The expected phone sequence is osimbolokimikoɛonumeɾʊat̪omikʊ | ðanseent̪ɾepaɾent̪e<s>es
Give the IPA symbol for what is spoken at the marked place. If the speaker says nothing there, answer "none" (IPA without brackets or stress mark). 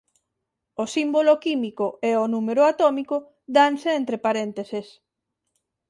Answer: s